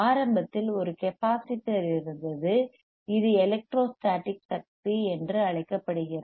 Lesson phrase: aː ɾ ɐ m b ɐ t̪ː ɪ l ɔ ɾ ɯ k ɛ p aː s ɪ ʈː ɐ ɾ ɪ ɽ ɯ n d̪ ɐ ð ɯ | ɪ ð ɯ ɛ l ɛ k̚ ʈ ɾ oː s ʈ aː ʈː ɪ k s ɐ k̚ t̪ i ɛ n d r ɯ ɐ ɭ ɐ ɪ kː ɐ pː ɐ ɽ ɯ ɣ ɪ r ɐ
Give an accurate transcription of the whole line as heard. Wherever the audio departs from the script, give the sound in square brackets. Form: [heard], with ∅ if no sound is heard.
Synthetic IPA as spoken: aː ɾ ɐ m b ɐ t̪ː ɪ l ɔ ɾ ɯ k ɛ p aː s ɪ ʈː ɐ ɾ ɪ [ɾ] ɯ n d̪ ɐ ð ɯ | ɪ ð ɯ ɛ l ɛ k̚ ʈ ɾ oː s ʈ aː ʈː ɪ k s ɐ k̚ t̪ i ɛ n d r ɯ ɐ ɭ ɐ ɪ kː ɐ pː ɐ ɽ ɯ ɣ ɪ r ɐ